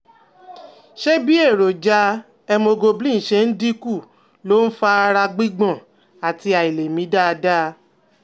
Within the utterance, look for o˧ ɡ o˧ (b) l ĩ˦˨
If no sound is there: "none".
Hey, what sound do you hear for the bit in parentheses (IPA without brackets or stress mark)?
b